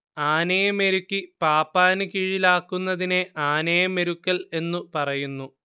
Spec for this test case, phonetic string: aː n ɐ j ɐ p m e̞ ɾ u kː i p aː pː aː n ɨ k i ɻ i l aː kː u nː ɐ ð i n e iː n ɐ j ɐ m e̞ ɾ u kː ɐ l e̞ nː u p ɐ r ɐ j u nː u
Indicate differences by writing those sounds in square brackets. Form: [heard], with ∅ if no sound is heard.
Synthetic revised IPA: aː n ɐ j ɐ [∅] m e̞ ɾ u kː i p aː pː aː n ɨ k i ɻ i l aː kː u nː ɐ ð i n e [aː] n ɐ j ɐ m e̞ ɾ u kː ɐ l e̞ nː u p ɐ r ɐ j u nː u